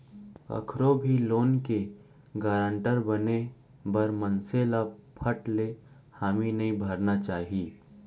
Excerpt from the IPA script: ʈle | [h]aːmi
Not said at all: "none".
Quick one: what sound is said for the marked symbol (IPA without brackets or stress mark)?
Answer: h